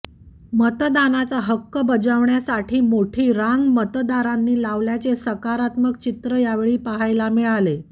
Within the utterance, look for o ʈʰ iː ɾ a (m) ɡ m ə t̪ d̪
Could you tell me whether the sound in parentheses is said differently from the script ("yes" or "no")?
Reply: yes